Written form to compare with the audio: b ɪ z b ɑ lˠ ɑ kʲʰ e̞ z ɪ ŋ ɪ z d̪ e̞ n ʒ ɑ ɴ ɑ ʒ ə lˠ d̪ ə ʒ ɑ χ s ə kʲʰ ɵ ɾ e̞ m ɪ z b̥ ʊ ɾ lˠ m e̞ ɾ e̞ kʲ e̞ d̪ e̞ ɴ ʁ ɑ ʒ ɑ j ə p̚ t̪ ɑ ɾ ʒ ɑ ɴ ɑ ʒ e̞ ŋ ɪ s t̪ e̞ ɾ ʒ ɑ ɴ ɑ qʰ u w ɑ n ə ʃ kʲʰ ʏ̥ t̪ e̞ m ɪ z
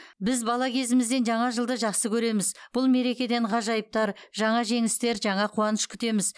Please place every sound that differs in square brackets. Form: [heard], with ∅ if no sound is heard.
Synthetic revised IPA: b ɪ z b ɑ lˠ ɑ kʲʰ e̞ z ɪ [m] ɪ z d̪ e̞ n ʒ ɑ ɴ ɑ ʒ ə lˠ d̪ ə ʒ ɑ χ s ə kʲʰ ɵ ɾ e̞ m ɪ z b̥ ʊ [∅] lˠ m e̞ ɾ e̞ kʲ e̞ d̪ e̞ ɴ ʁ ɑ ʒ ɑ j ə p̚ t̪ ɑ ɾ ʒ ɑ ɴ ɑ ʒ e̞ ŋ ɪ s t̪ e̞ ɾ ʒ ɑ ɴ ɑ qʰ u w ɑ n ə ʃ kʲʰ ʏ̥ t̪ e̞ m ɪ z